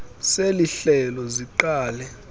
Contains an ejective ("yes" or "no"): no